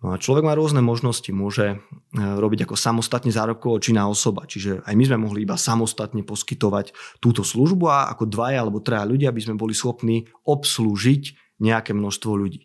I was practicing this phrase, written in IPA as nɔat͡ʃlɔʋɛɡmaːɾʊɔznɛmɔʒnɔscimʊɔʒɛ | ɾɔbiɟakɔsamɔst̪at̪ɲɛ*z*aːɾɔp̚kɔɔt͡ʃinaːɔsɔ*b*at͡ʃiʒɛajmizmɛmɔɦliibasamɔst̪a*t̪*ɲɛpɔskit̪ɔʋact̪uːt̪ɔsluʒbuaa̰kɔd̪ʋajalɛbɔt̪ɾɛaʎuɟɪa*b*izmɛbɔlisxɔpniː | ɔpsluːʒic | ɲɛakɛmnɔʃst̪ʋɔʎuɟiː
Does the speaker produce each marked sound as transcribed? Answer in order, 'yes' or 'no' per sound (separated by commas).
yes, yes, yes, yes